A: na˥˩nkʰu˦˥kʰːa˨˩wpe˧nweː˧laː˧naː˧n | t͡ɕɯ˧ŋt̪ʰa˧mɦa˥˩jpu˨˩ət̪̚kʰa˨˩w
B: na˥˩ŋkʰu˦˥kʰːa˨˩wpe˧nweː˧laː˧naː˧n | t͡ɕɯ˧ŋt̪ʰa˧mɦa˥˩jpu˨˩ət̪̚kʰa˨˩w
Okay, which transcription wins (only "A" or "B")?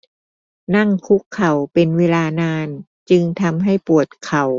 B